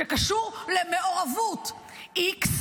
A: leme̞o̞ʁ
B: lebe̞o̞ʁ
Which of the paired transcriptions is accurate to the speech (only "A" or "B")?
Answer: A